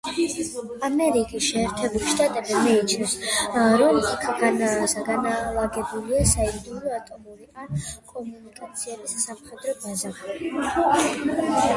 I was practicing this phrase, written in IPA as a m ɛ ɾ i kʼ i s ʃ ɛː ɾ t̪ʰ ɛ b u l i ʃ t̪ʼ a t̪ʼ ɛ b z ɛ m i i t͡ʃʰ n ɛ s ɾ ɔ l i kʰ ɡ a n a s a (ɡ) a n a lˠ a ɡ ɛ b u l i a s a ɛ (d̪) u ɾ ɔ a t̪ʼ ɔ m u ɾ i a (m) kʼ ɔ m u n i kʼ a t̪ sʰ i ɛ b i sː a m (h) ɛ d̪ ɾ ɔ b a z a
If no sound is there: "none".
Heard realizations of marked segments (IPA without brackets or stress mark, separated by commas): ɡ, d̪, n, χ